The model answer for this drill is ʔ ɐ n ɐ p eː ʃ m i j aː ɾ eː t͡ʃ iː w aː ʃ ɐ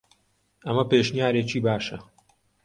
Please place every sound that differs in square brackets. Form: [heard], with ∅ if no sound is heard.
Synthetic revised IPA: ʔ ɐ [m] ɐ p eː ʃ [n] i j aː ɾ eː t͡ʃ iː [b] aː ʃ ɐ